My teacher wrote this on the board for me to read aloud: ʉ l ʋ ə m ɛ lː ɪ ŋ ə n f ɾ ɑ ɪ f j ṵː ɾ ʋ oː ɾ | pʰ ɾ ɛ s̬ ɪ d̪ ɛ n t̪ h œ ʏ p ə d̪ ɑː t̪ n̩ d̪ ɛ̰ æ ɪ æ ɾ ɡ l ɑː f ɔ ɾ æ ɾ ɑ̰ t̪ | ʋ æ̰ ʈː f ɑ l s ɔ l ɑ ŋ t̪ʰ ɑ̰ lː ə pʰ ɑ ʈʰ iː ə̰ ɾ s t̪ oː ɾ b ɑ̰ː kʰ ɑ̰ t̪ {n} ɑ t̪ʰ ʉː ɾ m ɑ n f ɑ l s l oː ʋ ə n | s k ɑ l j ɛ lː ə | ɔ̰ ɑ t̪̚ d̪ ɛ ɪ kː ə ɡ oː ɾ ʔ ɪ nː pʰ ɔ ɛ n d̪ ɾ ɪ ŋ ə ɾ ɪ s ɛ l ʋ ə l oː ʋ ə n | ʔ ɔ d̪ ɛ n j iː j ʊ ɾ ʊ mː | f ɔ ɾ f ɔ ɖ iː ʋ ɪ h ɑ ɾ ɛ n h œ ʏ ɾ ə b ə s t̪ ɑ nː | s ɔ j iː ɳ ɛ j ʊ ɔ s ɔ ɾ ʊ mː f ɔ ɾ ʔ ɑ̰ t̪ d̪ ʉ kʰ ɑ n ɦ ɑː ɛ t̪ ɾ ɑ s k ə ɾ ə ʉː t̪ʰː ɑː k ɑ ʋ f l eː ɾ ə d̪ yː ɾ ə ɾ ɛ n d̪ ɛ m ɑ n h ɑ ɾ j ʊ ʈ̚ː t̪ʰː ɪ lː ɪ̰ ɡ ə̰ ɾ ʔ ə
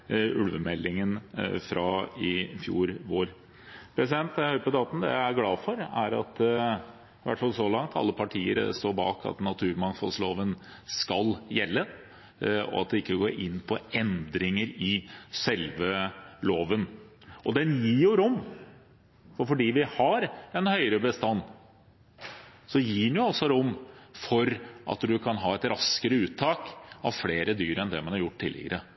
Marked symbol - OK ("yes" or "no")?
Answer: yes